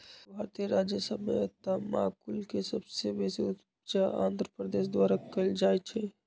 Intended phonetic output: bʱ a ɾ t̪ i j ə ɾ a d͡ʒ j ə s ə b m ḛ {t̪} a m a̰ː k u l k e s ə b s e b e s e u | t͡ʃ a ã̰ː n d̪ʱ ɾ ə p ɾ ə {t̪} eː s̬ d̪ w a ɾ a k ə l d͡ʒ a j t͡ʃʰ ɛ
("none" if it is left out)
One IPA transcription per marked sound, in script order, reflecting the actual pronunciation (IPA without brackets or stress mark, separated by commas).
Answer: t̪, d̪